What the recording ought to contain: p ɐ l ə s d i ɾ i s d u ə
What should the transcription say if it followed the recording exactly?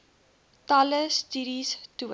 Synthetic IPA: t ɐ l ə s t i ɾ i s t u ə